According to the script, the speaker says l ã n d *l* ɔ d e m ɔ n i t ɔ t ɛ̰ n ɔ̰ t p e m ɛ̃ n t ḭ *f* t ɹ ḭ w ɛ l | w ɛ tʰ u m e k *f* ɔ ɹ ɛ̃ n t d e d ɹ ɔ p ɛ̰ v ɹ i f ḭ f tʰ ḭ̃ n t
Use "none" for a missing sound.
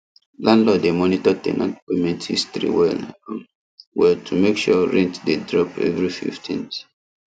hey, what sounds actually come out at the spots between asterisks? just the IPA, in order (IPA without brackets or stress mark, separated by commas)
l, s, ʃ